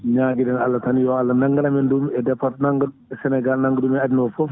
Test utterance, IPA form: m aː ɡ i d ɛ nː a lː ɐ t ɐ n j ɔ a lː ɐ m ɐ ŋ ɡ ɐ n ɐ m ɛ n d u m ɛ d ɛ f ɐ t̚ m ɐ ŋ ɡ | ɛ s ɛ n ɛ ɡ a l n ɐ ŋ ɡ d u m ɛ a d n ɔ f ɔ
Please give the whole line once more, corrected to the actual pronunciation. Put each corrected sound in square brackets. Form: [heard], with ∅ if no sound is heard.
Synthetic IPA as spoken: [ɲ] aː ɡ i d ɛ [n] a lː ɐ t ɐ n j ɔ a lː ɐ [n] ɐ ŋ ɡ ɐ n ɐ m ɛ n d u m ɛ d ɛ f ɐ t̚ [n] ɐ ŋ ɡ | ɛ s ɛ n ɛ ɡ a l n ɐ ŋ ɡ d u m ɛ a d n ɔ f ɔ